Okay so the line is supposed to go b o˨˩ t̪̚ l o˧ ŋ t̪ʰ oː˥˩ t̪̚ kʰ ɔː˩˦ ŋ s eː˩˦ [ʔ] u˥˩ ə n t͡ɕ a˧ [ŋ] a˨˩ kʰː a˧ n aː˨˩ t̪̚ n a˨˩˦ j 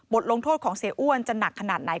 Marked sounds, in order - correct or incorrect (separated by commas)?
correct, incorrect